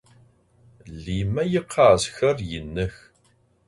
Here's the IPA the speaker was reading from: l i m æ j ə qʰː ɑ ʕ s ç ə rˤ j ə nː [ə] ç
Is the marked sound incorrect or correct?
correct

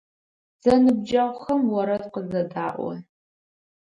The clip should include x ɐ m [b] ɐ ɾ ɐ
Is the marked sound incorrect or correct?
incorrect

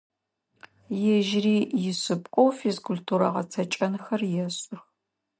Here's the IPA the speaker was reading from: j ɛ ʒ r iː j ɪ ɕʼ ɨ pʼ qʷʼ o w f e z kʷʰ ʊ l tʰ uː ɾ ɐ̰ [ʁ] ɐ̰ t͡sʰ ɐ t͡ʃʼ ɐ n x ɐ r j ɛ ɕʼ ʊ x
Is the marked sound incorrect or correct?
correct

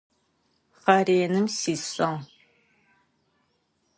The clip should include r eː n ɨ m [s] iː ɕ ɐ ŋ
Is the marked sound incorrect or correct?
correct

